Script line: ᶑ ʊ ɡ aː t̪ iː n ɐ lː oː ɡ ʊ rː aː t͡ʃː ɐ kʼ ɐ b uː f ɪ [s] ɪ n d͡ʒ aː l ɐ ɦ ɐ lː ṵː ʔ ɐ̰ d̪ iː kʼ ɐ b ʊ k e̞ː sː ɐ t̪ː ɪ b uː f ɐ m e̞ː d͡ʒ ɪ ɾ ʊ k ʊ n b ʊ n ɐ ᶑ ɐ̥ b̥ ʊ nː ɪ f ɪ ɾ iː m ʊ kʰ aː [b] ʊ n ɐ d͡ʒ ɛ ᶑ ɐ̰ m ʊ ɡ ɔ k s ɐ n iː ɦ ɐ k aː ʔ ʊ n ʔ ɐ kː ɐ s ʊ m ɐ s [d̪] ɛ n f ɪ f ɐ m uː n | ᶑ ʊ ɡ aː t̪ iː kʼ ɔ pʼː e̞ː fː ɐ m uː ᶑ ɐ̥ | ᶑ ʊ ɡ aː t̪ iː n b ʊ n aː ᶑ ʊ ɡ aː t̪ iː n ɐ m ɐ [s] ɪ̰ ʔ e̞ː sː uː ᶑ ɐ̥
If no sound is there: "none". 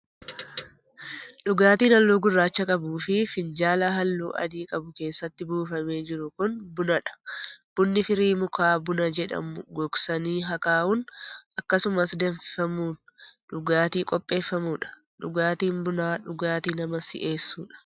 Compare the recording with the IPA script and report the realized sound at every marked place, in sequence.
f, b, d̪, s

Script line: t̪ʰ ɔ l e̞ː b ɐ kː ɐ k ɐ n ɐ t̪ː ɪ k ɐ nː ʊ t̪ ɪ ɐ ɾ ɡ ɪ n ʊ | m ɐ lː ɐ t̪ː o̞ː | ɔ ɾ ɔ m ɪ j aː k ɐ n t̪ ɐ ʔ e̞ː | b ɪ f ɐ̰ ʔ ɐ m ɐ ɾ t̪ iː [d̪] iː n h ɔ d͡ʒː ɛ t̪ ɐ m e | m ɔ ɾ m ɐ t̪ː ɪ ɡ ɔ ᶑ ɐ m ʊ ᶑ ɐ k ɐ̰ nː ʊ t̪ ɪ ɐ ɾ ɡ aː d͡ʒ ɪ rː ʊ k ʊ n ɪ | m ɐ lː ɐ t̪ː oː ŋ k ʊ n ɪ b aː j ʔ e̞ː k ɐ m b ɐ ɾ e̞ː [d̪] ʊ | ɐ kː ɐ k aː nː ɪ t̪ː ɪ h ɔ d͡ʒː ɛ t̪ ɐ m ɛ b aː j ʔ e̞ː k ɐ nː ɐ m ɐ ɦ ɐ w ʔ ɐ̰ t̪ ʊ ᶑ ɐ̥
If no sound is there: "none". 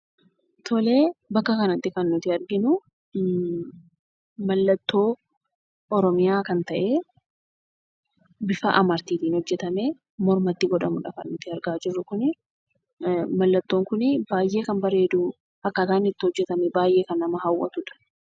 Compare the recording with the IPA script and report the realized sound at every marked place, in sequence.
t̪, d̪

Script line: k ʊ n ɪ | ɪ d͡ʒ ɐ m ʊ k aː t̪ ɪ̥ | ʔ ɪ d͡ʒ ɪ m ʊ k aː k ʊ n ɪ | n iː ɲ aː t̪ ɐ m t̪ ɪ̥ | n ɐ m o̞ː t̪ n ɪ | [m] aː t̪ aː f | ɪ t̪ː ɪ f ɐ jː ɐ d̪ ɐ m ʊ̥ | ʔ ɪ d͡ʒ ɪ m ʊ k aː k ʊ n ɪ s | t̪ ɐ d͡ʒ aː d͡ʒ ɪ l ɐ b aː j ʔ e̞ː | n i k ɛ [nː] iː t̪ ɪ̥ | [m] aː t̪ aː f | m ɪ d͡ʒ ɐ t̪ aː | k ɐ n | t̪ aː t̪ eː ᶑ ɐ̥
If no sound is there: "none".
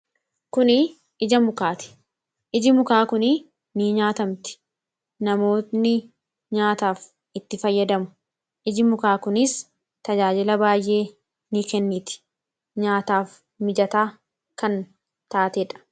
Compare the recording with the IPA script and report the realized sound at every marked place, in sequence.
ɲ, nː, ɲ

